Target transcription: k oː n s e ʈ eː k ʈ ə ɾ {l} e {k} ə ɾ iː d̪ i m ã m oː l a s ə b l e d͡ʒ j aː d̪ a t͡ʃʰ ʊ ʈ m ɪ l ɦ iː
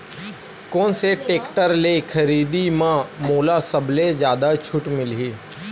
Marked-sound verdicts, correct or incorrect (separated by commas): correct, incorrect